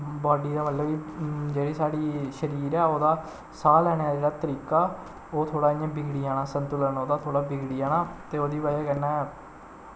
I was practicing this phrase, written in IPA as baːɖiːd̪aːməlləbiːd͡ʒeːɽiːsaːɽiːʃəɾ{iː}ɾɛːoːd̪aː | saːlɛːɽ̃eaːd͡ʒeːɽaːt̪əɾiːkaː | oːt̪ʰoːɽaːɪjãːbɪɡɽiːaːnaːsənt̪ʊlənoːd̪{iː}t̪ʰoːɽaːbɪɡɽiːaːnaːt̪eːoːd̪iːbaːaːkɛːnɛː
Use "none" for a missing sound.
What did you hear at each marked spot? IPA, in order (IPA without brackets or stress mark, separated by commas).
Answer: iː, aː